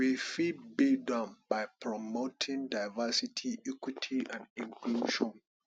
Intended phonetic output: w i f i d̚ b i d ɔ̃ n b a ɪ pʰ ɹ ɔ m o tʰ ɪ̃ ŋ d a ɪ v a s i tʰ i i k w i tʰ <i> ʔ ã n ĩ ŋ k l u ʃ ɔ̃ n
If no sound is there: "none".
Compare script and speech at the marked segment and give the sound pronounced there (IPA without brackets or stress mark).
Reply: i